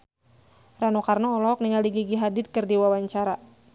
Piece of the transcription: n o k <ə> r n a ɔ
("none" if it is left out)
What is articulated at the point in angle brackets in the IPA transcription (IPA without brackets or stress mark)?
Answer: a